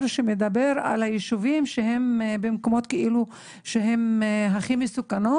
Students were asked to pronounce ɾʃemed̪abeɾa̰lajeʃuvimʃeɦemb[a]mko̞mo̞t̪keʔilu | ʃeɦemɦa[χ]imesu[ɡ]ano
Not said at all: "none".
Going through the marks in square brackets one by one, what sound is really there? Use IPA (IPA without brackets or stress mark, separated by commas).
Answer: e, χ, k